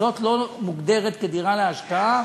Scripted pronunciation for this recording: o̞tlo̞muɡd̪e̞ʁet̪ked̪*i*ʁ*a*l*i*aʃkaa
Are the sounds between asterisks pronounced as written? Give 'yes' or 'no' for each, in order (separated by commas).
yes, yes, no